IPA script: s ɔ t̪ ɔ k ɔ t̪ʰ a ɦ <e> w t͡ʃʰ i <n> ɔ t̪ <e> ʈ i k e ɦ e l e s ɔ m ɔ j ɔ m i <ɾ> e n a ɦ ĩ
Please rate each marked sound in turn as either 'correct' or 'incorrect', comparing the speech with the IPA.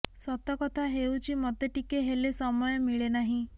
correct, incorrect: m, correct, incorrect: ɭ

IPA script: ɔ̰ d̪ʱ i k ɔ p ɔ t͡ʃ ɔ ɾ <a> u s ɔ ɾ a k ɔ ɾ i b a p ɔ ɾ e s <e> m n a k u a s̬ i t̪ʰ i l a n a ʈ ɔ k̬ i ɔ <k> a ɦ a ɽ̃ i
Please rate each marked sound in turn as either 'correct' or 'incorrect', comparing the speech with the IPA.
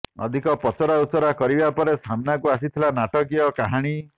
correct, incorrect: a, correct

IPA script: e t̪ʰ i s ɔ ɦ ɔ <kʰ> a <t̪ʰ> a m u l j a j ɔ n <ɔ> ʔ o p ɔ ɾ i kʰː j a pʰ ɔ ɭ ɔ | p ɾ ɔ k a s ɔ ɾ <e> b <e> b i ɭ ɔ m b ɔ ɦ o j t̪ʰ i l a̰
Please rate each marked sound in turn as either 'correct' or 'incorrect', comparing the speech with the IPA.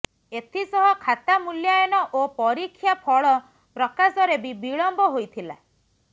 correct, incorrect: t̪, correct, correct, incorrect: i

